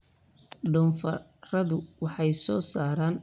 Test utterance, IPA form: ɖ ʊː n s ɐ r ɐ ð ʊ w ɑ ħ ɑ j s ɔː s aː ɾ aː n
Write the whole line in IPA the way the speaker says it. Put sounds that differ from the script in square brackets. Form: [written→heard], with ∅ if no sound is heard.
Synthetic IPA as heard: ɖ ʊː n [s→f] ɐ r ɐ ð ʊ w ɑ ħ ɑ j s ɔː s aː ɾ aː n